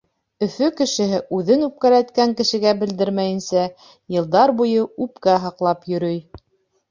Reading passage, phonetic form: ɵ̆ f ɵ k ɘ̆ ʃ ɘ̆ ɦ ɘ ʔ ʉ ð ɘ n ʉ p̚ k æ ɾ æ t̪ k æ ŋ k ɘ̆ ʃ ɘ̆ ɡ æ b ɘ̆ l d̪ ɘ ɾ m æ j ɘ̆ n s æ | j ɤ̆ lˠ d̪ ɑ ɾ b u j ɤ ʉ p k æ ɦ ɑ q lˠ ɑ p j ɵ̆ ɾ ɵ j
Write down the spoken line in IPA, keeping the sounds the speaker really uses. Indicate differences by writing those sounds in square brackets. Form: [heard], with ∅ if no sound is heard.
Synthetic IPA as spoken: ɵ̆ f ɵ k ɘ̆ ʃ ɘ̆ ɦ ɘ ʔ ʉ ð ɘ n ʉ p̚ k æ ɾ æ t̪ k æ ŋ k ɘ̆ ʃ ɘ̆ ɡ æ b ɘ̆ l d̪ ɘ ɾ m æ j ɘ̆ n s æ | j ɤ̆ lˠ d̪ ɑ ɾ b u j ɤ ʉ p k æ ɦ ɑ q lˠ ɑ p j ɵ̆ ɾ ɵ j